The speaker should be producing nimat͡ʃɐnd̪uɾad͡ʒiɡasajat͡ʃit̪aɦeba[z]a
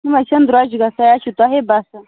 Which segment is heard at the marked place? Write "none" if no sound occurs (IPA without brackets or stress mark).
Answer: s